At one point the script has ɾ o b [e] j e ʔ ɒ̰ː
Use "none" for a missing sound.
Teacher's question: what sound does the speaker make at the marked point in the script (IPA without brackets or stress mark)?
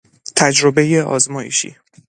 e